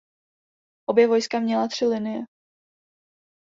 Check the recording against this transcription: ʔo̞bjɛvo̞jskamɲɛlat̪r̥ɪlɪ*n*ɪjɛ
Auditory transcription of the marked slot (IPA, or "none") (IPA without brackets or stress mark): n